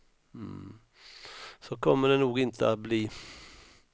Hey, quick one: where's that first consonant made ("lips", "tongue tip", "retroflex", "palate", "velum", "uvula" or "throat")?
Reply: tongue tip